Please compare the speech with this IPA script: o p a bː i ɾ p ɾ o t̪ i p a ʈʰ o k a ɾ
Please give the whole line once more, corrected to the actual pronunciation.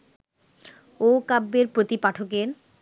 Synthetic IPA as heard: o k a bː e ɾ p ɾ o t̪ i p a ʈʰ o k e ɾ